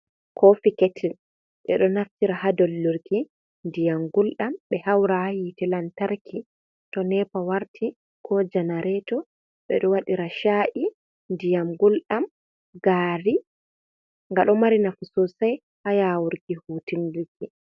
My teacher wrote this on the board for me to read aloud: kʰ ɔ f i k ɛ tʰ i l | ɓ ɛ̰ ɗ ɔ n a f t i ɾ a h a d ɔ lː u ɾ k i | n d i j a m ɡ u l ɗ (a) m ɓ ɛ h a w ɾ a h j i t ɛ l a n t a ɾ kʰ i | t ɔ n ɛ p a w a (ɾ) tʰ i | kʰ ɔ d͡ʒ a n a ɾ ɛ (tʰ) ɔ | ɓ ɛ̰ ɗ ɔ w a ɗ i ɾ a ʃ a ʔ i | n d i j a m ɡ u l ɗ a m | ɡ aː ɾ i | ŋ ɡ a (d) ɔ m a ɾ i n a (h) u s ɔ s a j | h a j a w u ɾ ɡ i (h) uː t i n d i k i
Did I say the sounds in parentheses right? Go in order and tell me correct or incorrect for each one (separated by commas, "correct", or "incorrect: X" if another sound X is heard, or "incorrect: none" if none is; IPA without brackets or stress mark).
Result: correct, correct, incorrect: t, incorrect: ɗ, incorrect: f, correct